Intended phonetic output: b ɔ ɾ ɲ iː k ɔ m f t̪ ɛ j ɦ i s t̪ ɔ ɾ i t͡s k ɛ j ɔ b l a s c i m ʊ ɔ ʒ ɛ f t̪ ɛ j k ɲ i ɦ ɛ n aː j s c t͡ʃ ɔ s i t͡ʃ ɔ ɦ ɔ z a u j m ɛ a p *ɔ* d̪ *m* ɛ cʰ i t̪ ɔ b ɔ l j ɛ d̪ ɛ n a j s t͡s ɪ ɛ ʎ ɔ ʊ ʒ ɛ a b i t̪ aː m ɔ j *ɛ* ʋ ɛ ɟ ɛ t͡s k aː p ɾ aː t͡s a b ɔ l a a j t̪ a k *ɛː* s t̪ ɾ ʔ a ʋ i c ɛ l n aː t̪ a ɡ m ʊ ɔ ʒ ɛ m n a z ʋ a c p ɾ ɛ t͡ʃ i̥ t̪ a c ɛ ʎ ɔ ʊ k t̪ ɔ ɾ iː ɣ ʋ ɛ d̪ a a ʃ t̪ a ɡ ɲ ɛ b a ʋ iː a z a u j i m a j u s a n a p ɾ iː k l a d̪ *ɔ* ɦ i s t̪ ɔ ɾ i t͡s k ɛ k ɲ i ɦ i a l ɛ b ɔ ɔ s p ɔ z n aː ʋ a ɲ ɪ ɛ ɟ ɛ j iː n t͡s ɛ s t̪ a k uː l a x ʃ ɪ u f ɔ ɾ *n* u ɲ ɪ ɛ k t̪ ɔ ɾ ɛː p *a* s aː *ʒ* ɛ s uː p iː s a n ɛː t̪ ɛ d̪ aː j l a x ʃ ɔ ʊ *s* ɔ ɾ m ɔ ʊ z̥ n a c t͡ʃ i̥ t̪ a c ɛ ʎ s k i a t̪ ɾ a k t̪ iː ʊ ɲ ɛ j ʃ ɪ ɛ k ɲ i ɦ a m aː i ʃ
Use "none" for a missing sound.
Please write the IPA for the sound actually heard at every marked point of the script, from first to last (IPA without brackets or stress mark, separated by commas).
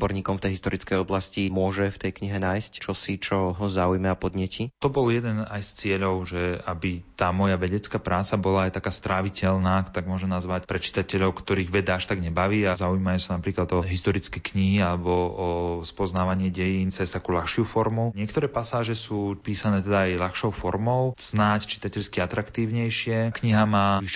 ɔ, ɲ, a, aː, ɔ, m, a, ʒ, f